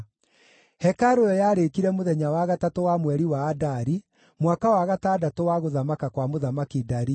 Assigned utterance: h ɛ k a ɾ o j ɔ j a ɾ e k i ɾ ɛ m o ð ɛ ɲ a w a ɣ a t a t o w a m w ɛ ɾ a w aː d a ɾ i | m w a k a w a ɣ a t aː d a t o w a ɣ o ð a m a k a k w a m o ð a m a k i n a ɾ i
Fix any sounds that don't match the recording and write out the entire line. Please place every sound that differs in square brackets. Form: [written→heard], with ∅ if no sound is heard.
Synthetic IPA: h ɛ k a ɾ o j ɔ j a ɾ e k i ɾ ɛ m o ð ɛ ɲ a w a ɣ a t a t o w a m w ɛ ɾ [a→i] w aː d a ɾ i | m w a k a w a ɣ a t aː d a t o w a ɣ o ð a m a k a k w a m o ð a m a k i [n→d] a ɾ i